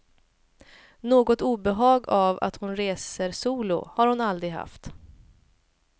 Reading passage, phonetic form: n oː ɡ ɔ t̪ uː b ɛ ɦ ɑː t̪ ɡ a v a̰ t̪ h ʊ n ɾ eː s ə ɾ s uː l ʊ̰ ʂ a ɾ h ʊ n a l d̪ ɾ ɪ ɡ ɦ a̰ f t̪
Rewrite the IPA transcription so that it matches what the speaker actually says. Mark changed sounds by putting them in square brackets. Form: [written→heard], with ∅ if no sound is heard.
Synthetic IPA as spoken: n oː ɡ ɔ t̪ uː b ɛ ɦ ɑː [t̪→∅] ɡ a v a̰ t̪ h ʊ n ɾ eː s ə ɾ s uː l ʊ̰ [ʂ→h] a ɾ h ʊ n a l d̪ ɾ ɪ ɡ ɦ a̰ f t̪